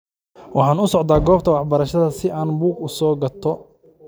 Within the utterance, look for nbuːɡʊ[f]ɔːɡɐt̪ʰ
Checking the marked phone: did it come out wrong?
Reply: yes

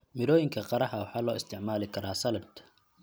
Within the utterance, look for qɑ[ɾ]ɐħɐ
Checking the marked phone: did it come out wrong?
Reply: no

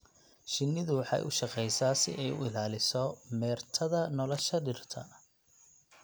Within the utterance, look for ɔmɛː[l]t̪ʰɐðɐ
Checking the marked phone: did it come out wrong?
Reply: yes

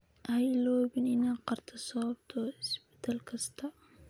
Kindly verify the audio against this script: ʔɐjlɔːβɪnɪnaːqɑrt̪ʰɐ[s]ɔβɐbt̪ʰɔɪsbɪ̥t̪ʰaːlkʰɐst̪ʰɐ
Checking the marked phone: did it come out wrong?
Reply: no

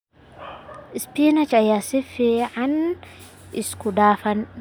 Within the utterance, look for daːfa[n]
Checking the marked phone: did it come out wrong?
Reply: no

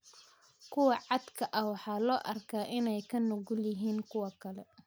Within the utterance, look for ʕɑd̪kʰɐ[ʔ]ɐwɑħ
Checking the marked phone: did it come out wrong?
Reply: no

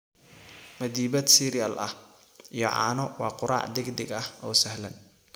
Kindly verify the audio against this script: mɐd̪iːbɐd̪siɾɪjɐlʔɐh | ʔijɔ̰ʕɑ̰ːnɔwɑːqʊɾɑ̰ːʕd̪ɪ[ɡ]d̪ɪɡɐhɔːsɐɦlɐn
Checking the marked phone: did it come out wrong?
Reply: no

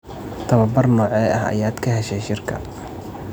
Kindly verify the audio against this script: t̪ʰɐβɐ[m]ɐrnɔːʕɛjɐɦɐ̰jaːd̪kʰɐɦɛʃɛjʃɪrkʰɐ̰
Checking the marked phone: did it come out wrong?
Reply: yes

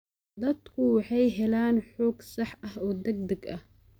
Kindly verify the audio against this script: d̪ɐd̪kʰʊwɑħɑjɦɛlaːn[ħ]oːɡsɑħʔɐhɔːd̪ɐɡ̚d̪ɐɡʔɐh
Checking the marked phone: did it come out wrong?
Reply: no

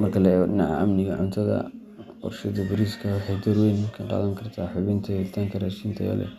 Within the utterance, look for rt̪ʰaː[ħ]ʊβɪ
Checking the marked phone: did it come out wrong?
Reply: no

